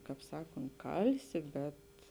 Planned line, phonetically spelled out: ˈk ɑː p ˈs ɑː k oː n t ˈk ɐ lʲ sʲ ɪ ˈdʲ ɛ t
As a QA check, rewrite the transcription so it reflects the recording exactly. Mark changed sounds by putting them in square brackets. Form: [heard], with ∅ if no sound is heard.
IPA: ˈk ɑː p ˈs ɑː k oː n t ˈk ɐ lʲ sʲ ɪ [ˈbʲ] ɛ t